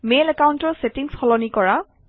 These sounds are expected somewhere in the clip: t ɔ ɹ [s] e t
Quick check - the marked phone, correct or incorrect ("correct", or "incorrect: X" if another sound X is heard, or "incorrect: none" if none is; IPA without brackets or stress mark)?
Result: correct